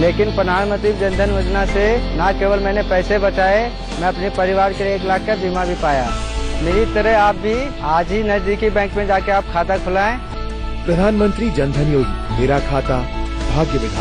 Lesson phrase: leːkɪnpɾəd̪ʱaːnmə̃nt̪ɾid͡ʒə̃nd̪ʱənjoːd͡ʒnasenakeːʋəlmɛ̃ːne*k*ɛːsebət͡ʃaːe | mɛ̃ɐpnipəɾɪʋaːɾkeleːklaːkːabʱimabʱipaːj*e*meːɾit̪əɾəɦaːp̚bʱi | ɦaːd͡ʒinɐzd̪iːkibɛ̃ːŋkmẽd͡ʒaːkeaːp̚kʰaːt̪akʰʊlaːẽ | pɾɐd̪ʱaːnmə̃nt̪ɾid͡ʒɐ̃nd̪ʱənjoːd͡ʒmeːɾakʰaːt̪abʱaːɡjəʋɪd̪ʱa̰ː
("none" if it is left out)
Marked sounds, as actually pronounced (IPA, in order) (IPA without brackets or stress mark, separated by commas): p, a